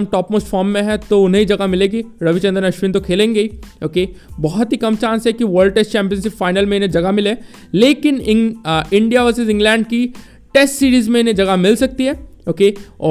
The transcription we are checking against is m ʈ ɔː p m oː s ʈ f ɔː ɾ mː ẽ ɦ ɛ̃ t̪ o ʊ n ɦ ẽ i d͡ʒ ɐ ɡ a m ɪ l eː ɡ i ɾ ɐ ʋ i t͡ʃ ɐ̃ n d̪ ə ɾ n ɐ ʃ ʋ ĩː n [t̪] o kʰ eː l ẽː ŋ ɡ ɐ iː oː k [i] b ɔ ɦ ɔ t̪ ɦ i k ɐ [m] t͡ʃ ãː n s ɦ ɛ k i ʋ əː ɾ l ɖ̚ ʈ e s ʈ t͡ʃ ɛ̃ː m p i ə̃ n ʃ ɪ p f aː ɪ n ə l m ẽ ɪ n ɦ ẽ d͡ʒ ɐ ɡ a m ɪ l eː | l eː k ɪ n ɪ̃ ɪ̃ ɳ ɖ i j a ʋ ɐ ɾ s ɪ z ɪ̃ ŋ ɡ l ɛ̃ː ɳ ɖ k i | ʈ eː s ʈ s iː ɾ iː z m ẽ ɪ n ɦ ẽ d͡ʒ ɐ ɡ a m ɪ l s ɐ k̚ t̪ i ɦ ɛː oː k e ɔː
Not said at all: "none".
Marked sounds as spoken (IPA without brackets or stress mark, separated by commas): t̪, e, m